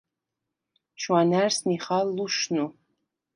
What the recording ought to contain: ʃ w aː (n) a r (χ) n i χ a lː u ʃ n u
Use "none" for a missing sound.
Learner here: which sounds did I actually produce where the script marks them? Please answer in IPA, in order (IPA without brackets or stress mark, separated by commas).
n, s